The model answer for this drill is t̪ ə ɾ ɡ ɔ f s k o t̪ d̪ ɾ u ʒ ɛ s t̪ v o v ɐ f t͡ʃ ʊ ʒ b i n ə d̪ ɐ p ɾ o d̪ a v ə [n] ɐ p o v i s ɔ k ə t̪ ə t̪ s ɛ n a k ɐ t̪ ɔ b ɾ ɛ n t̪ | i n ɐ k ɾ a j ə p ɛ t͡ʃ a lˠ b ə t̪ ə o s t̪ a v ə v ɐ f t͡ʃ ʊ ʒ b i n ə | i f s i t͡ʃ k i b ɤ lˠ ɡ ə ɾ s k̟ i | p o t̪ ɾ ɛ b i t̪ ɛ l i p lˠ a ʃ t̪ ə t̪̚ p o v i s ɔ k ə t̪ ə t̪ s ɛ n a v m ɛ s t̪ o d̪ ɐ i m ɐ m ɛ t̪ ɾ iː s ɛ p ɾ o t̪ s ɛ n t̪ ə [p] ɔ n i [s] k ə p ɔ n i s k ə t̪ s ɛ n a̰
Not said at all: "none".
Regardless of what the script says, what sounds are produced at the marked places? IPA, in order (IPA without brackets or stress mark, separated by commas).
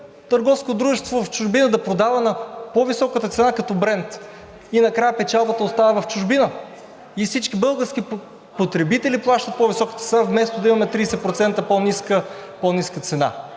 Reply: n, p, s